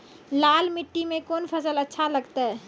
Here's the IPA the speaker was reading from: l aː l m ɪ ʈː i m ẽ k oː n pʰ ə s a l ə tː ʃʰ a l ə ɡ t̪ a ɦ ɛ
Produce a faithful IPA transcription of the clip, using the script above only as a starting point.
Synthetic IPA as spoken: l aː l m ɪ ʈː i m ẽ k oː n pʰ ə s ə l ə tː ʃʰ a l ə ɡ t̪ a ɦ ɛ